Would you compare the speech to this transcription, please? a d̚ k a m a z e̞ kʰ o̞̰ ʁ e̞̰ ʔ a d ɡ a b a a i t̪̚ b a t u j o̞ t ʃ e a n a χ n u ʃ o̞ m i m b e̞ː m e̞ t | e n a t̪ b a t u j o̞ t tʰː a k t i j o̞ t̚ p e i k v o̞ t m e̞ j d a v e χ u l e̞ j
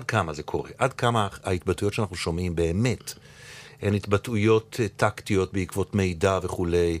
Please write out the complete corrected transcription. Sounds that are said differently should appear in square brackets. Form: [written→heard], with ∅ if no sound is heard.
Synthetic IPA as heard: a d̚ k a m a z e̞ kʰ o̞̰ ʁ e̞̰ ʔ a d [ɡ→k] a [b→m] a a i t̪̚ b a t u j o̞ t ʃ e a n a χ n u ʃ o̞ m i m b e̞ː m e̞ t | e n [a→i] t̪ b a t u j o̞ t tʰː a k t i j o̞ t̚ [p→b] e i k v o̞ t m e̞ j d a v e χ u l e̞ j